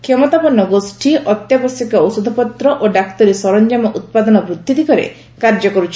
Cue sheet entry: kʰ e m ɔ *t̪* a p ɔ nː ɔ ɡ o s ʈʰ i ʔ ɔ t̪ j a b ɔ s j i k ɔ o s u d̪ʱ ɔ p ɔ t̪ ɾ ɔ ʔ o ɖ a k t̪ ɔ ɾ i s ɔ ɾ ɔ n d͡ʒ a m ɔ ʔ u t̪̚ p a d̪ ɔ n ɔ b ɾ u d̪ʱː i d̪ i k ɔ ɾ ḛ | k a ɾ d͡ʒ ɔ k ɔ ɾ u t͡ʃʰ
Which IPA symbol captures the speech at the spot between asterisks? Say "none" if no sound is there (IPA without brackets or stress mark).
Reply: t̪